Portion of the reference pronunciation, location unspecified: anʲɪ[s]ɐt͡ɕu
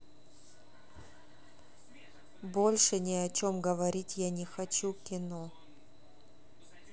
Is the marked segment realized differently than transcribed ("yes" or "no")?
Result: yes